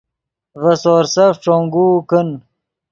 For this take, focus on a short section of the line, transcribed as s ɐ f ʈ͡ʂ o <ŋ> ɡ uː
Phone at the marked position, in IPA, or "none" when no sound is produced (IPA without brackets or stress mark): ŋ